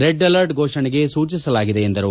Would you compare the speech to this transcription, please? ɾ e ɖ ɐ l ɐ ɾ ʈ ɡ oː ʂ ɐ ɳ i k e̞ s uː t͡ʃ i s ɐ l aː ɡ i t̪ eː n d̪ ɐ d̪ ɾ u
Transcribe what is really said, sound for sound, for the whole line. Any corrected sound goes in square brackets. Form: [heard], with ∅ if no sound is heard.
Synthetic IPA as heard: ɾ e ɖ ɐ l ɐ ɾ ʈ ɡ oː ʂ ɐ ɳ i [ɡ] e̞ s uː t͡ʃ i s ɐ l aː ɡ i [d̪] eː n d̪ ɐ [∅] ɾ u